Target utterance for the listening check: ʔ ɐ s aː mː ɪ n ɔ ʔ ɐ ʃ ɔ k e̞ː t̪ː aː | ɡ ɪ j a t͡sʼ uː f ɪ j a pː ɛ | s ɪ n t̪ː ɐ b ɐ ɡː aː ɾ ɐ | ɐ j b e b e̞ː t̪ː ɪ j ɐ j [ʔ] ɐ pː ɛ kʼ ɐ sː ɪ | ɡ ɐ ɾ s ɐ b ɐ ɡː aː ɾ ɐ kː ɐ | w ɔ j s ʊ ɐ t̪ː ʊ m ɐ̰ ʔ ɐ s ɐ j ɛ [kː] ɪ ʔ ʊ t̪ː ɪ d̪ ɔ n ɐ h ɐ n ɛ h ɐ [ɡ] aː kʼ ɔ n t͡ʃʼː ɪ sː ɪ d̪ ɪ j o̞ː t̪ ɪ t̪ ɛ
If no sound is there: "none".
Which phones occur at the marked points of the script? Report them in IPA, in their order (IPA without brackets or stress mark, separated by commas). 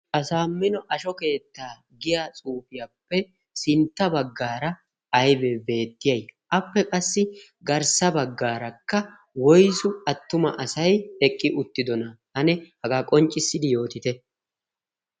ʔ, kʼː, ɡ